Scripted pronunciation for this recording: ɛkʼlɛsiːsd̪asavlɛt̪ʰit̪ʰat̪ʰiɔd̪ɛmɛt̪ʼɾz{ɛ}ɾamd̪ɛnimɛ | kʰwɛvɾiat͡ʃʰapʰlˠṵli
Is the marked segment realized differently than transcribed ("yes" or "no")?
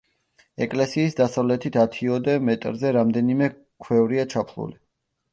no